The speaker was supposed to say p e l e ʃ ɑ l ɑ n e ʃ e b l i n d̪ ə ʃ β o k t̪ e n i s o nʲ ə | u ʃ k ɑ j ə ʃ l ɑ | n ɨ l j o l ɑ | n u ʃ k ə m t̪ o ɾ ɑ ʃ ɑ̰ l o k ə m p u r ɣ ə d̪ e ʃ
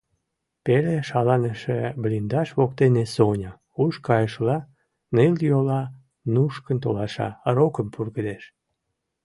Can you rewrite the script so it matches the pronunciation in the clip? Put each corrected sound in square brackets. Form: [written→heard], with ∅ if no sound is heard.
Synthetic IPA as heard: p e l e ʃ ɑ l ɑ n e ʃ e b l i n d̪ [ə→ɑ] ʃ β o k t̪ e n [i→e] s o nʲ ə | u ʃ k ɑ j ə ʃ l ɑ | n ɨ l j o l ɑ | n u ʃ k ə [m→n] t̪ o [ɾ→l] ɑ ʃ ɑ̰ [l→ɾ] o k ə m p u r ɣ ə d̪ e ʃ